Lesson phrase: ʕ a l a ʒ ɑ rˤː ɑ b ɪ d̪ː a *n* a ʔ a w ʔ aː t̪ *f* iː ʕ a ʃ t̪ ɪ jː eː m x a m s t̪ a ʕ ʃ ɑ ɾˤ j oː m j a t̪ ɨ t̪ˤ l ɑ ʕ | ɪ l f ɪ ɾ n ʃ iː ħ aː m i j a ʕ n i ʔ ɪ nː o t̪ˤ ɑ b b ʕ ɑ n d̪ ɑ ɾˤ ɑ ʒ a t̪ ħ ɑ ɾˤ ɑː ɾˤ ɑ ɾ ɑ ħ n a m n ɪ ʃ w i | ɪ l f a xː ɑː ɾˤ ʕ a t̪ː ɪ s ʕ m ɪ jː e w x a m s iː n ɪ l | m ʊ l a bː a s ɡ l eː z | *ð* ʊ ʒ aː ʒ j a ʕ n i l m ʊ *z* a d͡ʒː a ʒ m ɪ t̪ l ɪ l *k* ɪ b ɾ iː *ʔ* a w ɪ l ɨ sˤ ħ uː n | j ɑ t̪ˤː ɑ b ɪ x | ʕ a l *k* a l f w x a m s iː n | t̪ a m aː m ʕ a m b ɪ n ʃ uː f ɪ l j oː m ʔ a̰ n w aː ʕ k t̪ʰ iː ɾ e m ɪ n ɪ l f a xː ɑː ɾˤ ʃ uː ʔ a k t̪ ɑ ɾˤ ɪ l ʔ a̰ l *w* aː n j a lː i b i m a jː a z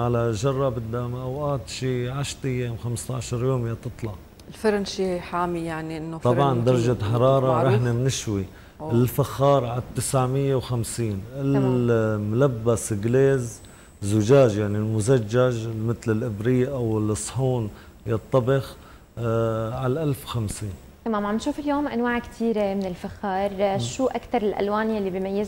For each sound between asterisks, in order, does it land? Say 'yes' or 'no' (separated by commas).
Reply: no, no, no, yes, no, yes, no, yes